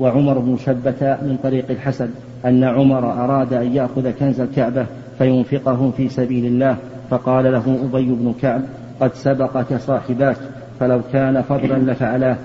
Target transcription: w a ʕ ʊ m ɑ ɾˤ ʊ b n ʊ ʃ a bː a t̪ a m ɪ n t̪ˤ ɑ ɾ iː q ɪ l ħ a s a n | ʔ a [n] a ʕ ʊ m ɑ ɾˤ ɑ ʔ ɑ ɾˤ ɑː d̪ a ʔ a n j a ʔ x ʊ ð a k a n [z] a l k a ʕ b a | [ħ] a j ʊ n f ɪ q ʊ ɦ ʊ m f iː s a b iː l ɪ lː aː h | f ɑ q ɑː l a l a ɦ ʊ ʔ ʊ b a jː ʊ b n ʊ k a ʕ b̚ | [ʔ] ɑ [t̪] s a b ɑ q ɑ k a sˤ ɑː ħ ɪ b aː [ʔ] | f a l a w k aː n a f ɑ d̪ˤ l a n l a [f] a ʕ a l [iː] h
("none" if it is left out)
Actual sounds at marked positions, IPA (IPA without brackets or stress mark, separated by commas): nː, z, f, q, d̪, k, f, aː